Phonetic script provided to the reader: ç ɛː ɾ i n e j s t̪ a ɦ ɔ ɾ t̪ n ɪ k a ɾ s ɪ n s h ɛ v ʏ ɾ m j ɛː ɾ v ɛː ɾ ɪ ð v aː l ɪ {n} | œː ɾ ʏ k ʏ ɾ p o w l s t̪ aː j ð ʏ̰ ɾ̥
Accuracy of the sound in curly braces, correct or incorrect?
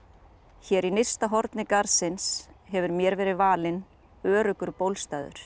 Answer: correct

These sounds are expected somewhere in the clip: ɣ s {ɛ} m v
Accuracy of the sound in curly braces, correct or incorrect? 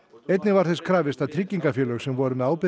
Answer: correct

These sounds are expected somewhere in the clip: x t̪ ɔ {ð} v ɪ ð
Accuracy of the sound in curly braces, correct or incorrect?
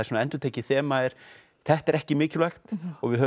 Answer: incorrect: ɣ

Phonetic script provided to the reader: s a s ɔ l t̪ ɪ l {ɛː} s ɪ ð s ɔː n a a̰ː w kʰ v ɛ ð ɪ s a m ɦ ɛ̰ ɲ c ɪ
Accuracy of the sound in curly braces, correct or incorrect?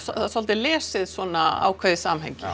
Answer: correct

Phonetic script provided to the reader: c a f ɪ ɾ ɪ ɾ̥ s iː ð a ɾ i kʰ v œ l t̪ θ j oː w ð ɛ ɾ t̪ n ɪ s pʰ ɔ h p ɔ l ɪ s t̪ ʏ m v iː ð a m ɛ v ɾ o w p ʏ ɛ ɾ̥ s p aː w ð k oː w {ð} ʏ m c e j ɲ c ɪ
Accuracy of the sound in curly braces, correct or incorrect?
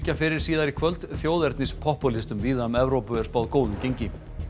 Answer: correct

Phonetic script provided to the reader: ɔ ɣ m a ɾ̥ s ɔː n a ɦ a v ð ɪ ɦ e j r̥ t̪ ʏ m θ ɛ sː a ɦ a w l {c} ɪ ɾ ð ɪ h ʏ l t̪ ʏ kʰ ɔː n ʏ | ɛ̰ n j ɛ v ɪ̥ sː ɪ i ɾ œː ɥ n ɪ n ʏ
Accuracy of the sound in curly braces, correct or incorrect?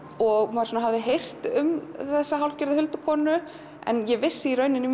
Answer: correct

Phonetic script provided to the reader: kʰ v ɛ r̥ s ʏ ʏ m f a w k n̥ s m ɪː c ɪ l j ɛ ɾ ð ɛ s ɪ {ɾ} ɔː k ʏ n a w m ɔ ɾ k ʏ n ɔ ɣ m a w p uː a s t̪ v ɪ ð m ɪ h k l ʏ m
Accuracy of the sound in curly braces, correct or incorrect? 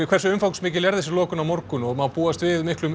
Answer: incorrect: l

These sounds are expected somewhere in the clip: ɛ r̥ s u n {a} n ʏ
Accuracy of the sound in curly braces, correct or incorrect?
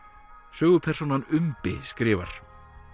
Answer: correct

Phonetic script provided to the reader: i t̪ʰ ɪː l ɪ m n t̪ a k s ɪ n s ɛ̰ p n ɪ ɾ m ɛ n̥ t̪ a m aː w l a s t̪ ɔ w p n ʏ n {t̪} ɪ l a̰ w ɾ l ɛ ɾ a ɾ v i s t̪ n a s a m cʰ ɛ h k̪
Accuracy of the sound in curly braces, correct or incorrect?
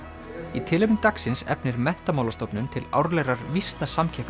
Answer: incorrect: t̪ʰ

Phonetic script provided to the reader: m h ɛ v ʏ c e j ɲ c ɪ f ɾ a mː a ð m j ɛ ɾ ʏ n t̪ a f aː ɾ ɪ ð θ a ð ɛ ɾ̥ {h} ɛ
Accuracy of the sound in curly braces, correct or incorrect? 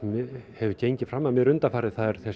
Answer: incorrect: θ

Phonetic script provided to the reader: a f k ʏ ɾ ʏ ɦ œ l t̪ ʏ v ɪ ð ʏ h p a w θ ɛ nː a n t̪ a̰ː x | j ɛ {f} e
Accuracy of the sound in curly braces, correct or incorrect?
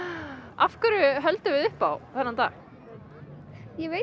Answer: incorrect: v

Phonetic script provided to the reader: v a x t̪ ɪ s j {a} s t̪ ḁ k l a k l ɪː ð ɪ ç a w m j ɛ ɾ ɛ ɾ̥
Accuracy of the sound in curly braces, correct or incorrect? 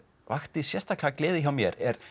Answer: incorrect: ɛ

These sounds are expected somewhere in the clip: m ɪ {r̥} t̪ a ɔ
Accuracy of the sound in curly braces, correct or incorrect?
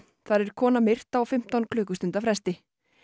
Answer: correct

